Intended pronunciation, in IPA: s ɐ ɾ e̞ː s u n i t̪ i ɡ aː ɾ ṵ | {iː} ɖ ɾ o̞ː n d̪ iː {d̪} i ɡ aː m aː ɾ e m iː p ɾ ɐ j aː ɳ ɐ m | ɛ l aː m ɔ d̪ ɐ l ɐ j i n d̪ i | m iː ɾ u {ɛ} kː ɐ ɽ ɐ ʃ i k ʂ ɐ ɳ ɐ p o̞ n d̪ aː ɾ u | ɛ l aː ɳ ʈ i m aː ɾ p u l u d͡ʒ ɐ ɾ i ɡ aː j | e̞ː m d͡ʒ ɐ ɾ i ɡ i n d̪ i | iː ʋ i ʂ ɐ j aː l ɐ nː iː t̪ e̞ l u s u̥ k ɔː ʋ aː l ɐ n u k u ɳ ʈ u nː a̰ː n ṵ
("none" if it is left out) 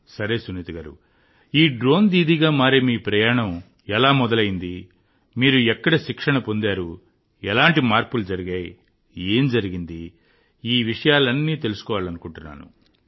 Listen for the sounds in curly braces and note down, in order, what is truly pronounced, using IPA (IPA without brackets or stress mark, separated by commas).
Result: iː, d̪, ɛ